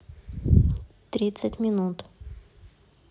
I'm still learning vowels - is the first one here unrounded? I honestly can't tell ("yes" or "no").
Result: yes